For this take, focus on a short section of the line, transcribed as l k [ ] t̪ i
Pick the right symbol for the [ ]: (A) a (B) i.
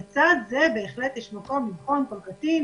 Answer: A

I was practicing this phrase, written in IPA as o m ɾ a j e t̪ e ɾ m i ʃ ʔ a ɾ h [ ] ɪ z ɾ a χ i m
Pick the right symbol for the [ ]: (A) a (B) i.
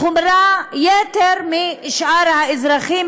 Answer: A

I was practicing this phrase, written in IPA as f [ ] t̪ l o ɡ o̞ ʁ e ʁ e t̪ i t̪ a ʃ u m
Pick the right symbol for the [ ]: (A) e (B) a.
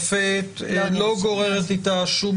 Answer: A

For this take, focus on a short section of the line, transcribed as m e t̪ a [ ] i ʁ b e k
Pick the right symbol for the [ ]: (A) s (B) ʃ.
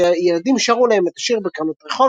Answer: B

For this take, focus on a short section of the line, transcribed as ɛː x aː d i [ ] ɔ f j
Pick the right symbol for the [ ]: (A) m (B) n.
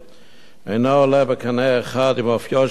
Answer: A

